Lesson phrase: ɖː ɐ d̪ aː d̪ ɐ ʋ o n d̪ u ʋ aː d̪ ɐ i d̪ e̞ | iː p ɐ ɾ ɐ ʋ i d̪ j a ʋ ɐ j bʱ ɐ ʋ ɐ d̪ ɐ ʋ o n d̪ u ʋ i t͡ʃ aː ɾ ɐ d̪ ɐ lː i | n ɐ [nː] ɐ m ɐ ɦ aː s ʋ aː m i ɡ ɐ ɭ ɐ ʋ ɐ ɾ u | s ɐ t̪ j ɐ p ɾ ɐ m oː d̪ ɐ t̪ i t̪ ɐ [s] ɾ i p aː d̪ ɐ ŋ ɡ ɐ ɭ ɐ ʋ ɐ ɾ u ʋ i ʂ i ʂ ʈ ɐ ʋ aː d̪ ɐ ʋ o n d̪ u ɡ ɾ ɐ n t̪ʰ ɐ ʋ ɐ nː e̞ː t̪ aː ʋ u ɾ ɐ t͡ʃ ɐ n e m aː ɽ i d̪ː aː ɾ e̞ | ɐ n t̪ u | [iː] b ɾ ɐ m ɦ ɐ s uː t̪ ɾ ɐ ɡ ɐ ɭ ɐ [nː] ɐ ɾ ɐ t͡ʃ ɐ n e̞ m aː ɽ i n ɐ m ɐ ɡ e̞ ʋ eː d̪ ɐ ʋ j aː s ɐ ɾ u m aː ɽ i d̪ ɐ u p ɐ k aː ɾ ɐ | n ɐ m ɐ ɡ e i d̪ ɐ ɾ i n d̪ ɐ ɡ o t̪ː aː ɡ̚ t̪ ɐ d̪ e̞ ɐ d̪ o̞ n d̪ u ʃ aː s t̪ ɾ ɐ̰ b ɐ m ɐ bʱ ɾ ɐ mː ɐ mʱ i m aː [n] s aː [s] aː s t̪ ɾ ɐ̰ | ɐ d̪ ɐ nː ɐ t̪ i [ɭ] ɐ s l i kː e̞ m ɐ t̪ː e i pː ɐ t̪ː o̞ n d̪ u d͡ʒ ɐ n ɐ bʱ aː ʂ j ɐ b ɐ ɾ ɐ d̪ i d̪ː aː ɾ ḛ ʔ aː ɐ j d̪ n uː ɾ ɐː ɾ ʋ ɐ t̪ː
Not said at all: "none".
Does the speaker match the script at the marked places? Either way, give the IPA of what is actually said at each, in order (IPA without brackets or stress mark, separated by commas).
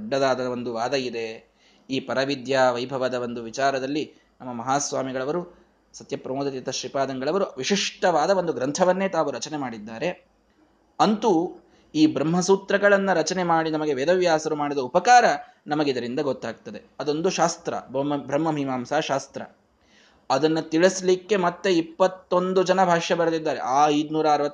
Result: mː, ʃ, iː, nː, m, ʃ, ɭ